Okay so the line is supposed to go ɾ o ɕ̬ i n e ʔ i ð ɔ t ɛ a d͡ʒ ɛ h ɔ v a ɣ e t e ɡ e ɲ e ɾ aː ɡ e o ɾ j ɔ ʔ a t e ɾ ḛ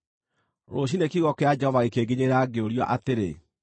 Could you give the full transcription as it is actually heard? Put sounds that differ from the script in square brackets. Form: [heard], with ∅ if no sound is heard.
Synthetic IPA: ɾ o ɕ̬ i n e [k] i [ɣ] ɔ [k] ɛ a d͡ʒ ɛ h ɔ v a ɣ e [k] e ɡ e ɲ e ɾ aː ɡ e o ɾ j ɔ ʔ a t e ɾ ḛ

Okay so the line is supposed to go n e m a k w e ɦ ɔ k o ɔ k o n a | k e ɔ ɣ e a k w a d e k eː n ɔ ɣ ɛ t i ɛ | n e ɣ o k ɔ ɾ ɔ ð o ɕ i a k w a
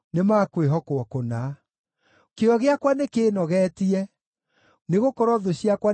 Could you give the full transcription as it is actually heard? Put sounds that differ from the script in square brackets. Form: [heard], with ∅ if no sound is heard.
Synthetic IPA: n e m a k w e ɦ ɔ k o ɔ k o n a | k e ɔ ɣ e a k w a [n] e k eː n ɔ ɣ ɛ t i ɛ | n e ɣ o k ɔ ɾ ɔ ð o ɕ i a k w a

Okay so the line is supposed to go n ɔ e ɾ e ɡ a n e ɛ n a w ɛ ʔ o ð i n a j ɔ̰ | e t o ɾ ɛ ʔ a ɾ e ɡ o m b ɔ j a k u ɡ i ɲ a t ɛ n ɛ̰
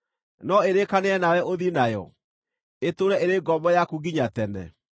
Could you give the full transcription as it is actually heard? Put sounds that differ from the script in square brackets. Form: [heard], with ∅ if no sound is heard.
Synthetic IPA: n ɔ e ɾ e [k] a n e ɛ n a w ɛ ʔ o ð i n a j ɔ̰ | e t o ɾ ɛ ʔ [e] ɾ e ɡ [ɔ] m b ɔ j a k u ɡ i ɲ a t ɛ n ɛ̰

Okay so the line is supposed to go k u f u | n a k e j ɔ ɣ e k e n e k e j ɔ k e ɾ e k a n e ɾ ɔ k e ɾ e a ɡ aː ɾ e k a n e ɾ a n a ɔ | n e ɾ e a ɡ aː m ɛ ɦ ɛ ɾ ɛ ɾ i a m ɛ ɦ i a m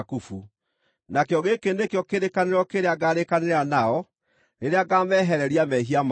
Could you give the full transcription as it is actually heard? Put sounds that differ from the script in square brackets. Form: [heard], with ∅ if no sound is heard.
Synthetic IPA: k u f u | n a k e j ɔ ɣ e k e n e k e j ɔ k e ɾ e k a n e ɾ ɔ k e ɾ e a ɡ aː ɾ e k a n e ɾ a n a ɔ | n e ɾ e a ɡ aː m ɛ ɦ ɛ ɾ ɛ ɾ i a m ɛ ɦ i a m

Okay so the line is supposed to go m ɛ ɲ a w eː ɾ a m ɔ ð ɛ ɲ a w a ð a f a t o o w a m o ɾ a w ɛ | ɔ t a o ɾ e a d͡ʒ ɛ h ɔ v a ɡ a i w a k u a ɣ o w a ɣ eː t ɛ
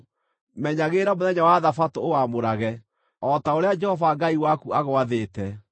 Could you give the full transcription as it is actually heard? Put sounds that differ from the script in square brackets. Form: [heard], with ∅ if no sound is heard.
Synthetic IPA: m ɛ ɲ a [ɣ] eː ɾ a m [o] ð ɛ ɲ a w a ð a f a t o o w a m o ɾ a [ɣ] ɛ | ɔ t a o ɾ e a d͡ʒ ɛ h ɔ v a ɡ a i w a k u a ɣ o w a [ð] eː t ɛ

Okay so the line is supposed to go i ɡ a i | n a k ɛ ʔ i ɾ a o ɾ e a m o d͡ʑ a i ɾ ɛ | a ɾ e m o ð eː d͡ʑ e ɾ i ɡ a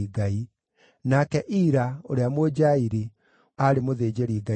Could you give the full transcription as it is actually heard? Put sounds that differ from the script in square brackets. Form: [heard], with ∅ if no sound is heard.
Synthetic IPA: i ɡ a i | n a k ɛ ʔ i ɾ a o ɾ e a m o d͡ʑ a i ɾ [i] | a ɾ e m o ð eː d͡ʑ e ɾ i ɡ a

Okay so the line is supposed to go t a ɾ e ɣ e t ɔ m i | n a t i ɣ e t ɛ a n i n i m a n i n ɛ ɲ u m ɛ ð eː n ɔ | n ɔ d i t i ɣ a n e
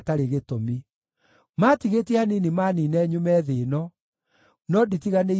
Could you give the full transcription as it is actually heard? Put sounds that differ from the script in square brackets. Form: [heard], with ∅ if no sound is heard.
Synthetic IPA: t a ɾ e ɣ e t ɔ m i | [m] a t i ɣ e t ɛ a n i n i m a n i n ɛ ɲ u m ɛ ð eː n ɔ | n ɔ d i t i ɣ a n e

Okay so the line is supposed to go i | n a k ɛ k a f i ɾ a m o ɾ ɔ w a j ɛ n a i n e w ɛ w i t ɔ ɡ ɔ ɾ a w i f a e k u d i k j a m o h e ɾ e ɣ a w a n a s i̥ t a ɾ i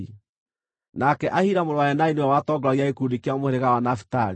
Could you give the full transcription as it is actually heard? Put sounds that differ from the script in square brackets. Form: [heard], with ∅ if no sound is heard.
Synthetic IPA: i | n a k ɛ [ʔ] a [h] i ɾ a m o ɾ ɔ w a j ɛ n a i n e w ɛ w [a] t ɔ ɡ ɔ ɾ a [ɣ] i [∅] a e k u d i k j a m o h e ɾ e ɣ a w a n a [f] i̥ t a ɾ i

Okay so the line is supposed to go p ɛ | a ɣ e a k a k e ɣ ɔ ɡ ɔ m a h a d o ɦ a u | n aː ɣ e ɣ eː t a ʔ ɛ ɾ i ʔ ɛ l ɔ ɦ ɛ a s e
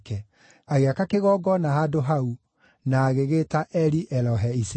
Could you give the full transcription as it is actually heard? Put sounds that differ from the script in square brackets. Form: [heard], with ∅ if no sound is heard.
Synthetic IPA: [k] ɛ | a ɣ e a k a k e ɣ ɔ ɡ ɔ [n] a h a d o ɦ a u | n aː ɣ e ɣ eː t a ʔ ɛ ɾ i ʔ ɛ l ɔ ɦ ɛ [i] s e

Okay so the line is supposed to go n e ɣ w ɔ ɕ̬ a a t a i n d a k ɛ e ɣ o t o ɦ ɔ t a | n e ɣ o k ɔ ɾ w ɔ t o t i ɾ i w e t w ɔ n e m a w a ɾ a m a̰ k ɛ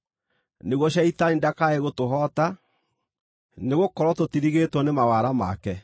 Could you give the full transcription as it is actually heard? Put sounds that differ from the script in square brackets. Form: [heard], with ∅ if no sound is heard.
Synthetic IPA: n e ɣ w ɔ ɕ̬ a [i] t a i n d a k [a] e ɣ o t o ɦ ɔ t a | n e ɣ o k ɔ ɾ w ɔ t o t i ɾ i [ɣ] e t w ɔ n e m a w a ɾ a m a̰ k ɛ

